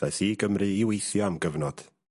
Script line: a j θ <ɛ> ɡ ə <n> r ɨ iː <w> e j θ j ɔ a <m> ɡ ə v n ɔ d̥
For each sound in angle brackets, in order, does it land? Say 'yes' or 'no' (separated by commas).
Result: no, no, yes, yes